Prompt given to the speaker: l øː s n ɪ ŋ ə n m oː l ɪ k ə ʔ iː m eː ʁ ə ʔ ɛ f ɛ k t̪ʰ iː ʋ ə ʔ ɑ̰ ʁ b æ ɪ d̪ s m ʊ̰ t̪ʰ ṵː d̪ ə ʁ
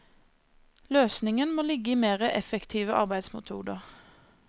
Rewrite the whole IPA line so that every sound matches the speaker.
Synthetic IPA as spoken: l øː s n ɪ ŋ ə n m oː l ɪ ɡ ə iː m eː ʁ ə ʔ ɛ f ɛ k t̪ʰ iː ʋ ə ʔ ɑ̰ ʁ b æ ɪ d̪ s m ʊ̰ t̪ʰ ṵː d̪ ə ʁ